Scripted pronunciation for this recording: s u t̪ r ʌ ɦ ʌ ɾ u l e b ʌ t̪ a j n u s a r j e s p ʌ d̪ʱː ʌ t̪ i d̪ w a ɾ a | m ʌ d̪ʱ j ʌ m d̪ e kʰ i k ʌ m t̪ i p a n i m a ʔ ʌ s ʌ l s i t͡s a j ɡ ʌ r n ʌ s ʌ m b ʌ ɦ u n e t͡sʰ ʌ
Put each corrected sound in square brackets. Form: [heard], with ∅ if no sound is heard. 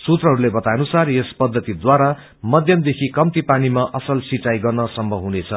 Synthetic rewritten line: s u t̪ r ʌ ɦ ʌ ɾ u l e b ʌ t̪ a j n u s a r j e s p ʌ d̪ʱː ʌ t̪ i d̪ w a ɾ a | m ʌ d̪ʱ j ʌ m d̪ e kʰ i k ʌ m t̪ i p a n i m a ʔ ʌ s ʌ l s i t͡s a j ɡ ʌ r n ʌ s ʌ m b ʌ ɦ u n e t͡sʰ ʌ

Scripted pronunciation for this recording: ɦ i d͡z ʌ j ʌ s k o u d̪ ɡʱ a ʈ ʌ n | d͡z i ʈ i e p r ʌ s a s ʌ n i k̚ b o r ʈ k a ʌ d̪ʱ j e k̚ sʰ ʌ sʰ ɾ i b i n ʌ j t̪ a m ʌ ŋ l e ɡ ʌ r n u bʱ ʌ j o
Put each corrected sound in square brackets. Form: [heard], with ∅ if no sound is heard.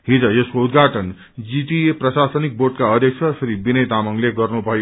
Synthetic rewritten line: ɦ i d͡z ʌ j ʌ s k o u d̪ ɡʱ a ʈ ʌ n | d͡z i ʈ i e p r ʌ s a s ʌ n i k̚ b o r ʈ k a ʌ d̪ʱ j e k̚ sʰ ʌ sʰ ɾ i b i n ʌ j t̪ a m ʌ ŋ l e ɡ ʌ r n u bʱ ʌ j o

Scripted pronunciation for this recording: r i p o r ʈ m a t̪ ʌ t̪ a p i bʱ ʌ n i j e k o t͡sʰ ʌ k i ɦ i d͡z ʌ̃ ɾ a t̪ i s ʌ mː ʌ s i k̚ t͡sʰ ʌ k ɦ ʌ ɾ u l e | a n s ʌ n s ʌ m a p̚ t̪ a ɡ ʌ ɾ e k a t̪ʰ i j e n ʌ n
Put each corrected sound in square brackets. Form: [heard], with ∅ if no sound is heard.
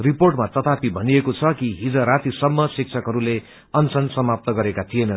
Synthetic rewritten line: r i p o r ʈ m a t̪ ʌ t̪ a p i bʱ ʌ n i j e k o t͡sʰ ʌ k i ɦ i d͡z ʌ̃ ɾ a t̪ i s ʌ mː ʌ s i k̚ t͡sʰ ʌ k ɦ ʌ ɾ u l e | [ʌ] n s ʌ n s ʌ m a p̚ t̪ [ʌ] ɡ ʌ ɾ e k a t̪ʰ i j e n ʌ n

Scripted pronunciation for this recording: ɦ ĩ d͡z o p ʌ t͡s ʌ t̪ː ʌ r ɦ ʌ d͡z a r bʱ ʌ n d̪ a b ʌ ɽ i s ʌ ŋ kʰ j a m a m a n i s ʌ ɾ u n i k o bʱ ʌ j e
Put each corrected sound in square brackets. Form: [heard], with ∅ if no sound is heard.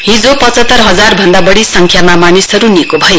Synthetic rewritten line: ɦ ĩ d͡z o p ʌ t͡s ʌ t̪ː ʌ r ɦ ʌ d͡z a r bʱ ʌ n d̪ a b ʌ ɽ i s ʌ ŋ kʰ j a m a m a n i s ʌ ɾ u n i k o bʱ ʌ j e

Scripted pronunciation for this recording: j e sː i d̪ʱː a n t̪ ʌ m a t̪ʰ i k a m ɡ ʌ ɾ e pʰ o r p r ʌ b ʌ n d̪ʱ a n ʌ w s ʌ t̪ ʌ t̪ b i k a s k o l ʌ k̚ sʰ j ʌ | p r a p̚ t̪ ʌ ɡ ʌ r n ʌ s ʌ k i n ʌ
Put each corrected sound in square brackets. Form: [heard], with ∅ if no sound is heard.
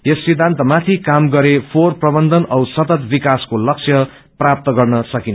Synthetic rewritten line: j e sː i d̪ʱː a n t̪ ʌ m a t̪ʰ i k a m ɡ ʌ ɾ e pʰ o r p r ʌ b ʌ n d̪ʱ [ʌ] n ʌ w s ʌ t̪ ʌ t̪ b i k a s k o l ʌ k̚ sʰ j ʌ | p r a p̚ t̪ ʌ ɡ ʌ r n ʌ s ʌ k i n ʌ

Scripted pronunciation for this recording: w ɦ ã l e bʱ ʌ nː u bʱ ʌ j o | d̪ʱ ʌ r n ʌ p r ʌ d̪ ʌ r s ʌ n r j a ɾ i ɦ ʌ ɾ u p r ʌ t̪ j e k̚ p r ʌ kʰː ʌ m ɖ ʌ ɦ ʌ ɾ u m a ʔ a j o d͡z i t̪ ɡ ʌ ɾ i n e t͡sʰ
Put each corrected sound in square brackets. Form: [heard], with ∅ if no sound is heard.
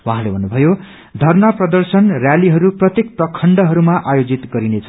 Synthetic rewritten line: w ɦ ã l e bʱ ʌ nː u bʱ ʌ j o | d̪ʱ ʌ r n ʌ p r ʌ d̪ ʌ r s ʌ n r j a [l] i ɦ ʌ ɾ u p r ʌ t̪ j e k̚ p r ʌ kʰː ʌ [ɳ] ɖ ʌ ɦ ʌ ɾ u m a ʔ a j o d͡z i t̪ ɡ ʌ ɾ i n e t͡sʰ

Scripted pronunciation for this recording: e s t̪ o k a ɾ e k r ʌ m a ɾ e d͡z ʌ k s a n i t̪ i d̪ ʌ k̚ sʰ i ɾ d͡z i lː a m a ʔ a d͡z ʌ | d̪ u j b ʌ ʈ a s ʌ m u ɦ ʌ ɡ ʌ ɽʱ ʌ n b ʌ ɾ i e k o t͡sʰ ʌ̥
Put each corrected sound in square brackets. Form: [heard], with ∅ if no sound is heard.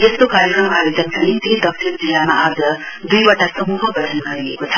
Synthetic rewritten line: e s t̪ o k a ɾ e k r ʌ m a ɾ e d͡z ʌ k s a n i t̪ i d̪ ʌ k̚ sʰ i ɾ d͡z i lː a m a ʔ a d͡z ʌ | d̪ u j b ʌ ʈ a s ʌ m u ɦ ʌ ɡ ʌ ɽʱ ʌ n [ɡ] ʌ ɾ i e k o t͡sʰ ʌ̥

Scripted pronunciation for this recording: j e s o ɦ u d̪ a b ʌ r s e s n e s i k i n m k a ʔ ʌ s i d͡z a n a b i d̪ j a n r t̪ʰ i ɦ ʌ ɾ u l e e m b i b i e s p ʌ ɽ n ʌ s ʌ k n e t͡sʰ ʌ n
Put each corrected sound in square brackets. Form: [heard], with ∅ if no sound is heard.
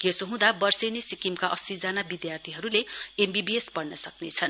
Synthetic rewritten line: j e s o ɦ [ũ] d̪ a b ʌ r s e [∅] n e s i k i [∅] m k a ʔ ʌ s i d͡z a n a b i d̪ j a [∅] r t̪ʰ i ɦ ʌ ɾ u l e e m b i b i e s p ʌ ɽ n ʌ s ʌ k n e t͡sʰ ʌ n

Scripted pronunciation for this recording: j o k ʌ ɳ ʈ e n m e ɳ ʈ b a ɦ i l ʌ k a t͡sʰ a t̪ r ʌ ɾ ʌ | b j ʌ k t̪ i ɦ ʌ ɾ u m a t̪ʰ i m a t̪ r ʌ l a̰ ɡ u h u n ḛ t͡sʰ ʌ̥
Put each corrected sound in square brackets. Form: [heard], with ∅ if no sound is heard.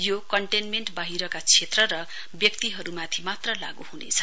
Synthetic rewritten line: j o k ʌ ɳ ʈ e n m e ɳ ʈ b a ɦ i [ɾ] ʌ k a t͡sʰ [e] t̪ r ʌ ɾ ʌ | b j ʌ k t̪ i ɦ ʌ ɾ u m a t̪ʰ i m a t̪ r ʌ l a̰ ɡ u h u n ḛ t͡sʰ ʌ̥

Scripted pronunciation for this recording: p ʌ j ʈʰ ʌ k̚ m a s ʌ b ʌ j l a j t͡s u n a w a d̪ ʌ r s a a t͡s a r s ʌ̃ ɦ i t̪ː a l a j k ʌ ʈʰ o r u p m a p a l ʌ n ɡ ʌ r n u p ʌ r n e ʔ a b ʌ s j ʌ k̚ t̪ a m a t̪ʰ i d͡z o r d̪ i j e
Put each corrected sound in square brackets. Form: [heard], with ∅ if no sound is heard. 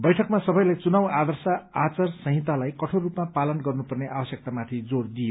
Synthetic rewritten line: [b] ʌ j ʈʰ ʌ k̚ m a s ʌ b ʌ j l a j t͡s u n a w a d̪ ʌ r s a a t͡s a r s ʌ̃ ɦ i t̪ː a l a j k ʌ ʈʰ o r u p m a p a l ʌ n ɡ ʌ r n u p ʌ r n e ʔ a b ʌ s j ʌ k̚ t̪ a m a t̪ʰ i d͡z o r d̪ i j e

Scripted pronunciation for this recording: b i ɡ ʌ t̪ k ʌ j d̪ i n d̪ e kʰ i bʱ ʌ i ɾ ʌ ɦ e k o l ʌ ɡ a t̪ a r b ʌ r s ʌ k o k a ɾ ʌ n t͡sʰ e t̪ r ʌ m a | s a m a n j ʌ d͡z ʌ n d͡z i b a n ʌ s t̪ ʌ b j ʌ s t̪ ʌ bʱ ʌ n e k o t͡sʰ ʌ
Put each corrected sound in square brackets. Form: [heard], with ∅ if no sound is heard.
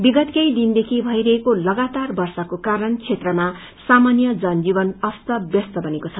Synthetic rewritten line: b i ɡ ʌ t̪ k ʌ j d̪ i n d̪ e kʰ i bʱ ʌ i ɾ ʌ ɦ e k o l ʌ ɡ a t̪ a r b ʌ r s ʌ k o k a ɾ ʌ n t͡sʰ e t̪ r ʌ m a | s a m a n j ʌ d͡z ʌ n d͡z i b [ʌ] n ʌ s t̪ ʌ b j ʌ s t̪ ʌ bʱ ʌ n e k o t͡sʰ ʌ

